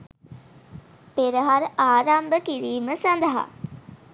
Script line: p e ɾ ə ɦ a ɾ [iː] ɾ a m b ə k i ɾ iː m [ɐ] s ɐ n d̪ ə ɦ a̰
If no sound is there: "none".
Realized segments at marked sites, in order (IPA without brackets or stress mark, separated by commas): aː, ə